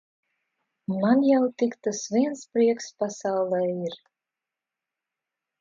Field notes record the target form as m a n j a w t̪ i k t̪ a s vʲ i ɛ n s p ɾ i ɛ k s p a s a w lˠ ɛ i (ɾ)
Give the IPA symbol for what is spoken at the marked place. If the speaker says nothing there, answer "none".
ɾ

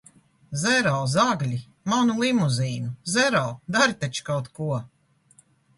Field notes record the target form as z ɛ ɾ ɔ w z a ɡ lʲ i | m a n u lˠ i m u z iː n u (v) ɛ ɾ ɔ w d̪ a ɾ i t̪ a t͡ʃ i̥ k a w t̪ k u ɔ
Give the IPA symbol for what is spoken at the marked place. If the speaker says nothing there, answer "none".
z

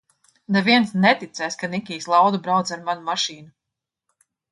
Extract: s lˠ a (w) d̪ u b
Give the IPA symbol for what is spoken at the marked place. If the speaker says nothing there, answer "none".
w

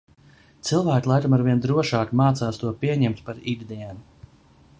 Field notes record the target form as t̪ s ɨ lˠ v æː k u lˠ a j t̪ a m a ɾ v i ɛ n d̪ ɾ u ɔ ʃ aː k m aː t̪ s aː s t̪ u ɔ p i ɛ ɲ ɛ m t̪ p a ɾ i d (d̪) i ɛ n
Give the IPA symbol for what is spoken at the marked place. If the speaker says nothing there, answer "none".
d̪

